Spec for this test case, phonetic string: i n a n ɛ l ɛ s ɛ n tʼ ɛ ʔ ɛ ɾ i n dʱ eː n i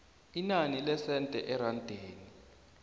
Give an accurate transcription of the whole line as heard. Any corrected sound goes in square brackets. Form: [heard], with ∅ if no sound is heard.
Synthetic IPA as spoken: i n a n [i] l ɛ s ɛ n tʼ ɛ ʔ ɛ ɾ [a] n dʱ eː n i

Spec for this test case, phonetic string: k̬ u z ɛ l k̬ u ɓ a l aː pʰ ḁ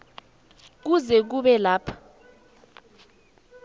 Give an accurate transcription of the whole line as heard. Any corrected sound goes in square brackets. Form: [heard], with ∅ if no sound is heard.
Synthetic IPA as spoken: k̬ u z ɛ [∅] k̬ u ɓ [ɛ] l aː pʰ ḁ

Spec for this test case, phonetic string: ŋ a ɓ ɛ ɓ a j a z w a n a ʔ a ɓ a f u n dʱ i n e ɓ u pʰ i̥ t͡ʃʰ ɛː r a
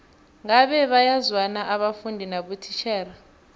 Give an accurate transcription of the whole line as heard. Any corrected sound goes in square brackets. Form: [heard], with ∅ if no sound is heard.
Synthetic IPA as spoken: ŋ a ɓ ɛ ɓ a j a z w a n a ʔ a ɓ a f u n dʱ i n [a] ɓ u [tʰ] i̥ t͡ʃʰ ɛː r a

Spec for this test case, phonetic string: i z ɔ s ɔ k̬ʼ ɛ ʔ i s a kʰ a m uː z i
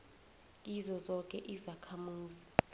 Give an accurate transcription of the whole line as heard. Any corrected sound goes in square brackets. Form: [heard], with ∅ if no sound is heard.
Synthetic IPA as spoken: i z ɔ [z] ɔ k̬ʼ ɛ ʔ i [z] a kʰ a m uː z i

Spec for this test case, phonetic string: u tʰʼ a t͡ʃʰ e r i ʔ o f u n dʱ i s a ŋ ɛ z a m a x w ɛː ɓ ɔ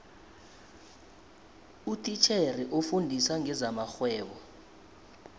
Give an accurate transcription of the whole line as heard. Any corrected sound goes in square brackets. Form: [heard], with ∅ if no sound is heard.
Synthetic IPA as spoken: u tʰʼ [i] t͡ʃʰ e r i ʔ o f u n dʱ i s a ŋ ɛ z a m a x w ɛː ɓ ɔ

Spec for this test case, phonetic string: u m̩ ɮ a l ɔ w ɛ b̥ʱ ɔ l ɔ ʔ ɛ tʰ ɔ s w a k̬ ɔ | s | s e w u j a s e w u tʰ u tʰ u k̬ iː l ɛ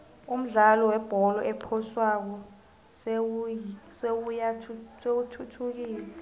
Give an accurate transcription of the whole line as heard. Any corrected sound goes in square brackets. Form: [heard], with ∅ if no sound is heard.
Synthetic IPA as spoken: u m̩ ɮ a l ɔ w ɛ b̥ʱ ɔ l ɔ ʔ ɛ [pʰ] ɔ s w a k̬ ɔ | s | s e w u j a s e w u tʰ u tʰ u k̬ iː l ɛ

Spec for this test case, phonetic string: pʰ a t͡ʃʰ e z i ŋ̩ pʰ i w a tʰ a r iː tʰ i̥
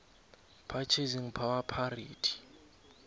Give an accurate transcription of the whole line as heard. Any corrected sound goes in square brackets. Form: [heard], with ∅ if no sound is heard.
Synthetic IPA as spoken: pʰ a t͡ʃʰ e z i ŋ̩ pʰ [a] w a [pʰ] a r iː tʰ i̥

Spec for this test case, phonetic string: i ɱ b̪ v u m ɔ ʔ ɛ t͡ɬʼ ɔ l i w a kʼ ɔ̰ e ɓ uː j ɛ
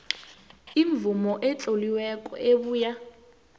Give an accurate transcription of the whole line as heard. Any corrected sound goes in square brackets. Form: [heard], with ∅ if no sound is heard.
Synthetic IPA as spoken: i ɱ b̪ v u m ɔ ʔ ɛ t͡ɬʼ [o] l i w [ɛ] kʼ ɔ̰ e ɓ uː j [a]

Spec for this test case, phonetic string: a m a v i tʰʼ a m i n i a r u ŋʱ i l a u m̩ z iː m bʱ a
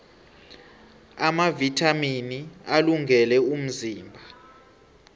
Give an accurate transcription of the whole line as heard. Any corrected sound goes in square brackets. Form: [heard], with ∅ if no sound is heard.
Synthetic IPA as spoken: a m a v i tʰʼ a m i n i a [l] u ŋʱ [ɛ] l [ɛ] u m̩ z iː m bʱ a

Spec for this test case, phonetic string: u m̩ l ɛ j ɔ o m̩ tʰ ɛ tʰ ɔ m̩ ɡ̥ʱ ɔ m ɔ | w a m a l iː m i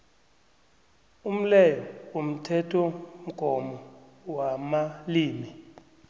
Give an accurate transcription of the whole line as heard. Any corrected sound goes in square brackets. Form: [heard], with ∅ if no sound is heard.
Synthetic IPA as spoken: u m̩ l ɛ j ɔ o m̩ tʰ ɛ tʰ ɔ m̩ ɡ̥ʱ ɔ m ɔ | w a m a l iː m i

